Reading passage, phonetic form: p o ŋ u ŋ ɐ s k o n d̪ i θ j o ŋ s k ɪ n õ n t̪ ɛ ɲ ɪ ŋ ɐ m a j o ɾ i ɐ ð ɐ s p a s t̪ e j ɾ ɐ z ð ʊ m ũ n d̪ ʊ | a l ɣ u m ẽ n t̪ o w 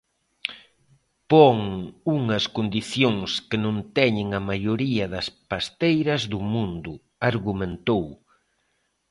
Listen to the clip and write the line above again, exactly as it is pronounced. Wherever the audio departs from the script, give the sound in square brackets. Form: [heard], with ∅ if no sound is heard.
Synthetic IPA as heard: p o ŋ u ŋ ɐ s k o n d̪ i θ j o ŋ s k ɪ n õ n t̪ ɛ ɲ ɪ ŋ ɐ m a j o ɾ i ɐ ð ɐ s p a s t̪ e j ɾ ɐ z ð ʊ m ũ n d̪ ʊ | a [ɾ] ɣ u m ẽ n t̪ o w